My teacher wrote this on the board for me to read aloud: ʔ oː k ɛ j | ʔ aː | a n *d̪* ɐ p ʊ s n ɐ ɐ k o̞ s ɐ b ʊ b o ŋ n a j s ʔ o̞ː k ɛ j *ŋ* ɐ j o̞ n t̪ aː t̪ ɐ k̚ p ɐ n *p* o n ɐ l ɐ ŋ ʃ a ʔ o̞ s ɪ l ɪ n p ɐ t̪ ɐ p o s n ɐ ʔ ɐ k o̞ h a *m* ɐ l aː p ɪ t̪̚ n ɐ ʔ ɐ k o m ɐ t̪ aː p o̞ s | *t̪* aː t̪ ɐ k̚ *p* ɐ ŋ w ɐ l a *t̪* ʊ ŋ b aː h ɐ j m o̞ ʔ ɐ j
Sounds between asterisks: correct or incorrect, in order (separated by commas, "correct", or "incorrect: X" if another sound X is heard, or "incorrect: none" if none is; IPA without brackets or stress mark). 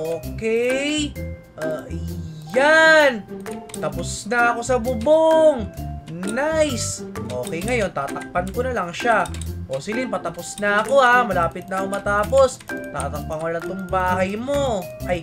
incorrect: t̪, correct, incorrect: k, correct, correct, correct, correct